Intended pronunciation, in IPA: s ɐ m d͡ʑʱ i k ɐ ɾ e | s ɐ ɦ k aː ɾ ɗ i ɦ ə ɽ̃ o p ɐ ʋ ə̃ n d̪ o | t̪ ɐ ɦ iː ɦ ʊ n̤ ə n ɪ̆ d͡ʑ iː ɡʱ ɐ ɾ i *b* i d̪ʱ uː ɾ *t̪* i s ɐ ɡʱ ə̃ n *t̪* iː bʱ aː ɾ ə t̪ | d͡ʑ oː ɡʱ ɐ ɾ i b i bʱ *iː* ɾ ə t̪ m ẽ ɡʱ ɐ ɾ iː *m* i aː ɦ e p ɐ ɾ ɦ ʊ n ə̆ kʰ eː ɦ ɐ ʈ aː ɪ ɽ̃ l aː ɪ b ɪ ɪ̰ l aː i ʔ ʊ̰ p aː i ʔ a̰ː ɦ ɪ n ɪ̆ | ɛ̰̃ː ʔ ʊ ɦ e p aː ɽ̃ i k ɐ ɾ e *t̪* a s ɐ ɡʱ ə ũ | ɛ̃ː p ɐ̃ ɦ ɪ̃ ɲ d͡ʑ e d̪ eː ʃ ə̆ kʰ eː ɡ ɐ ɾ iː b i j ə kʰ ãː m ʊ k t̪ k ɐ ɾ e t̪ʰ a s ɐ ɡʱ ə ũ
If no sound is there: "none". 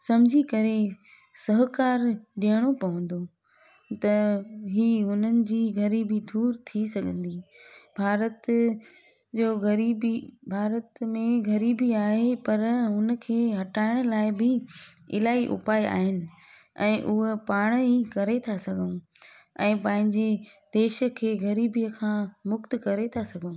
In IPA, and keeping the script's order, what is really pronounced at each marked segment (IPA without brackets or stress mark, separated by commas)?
b, t̪ʰ, d̪, aː, b, t̪ʰ